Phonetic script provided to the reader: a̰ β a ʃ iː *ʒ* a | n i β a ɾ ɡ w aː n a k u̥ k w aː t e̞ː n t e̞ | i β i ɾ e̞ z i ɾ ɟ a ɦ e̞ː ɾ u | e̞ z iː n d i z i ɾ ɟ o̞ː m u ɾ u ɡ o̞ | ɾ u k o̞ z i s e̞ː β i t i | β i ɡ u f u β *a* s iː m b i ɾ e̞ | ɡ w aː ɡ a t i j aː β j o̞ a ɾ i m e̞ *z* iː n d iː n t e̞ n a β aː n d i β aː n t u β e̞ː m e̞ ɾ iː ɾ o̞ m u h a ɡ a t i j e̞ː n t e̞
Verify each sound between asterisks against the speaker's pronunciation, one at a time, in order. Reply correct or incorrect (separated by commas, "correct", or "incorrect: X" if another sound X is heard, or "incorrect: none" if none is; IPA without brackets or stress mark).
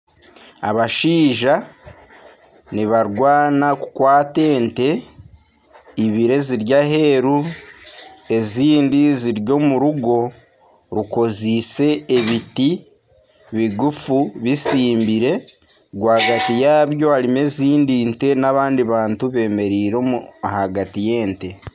correct, incorrect: i, correct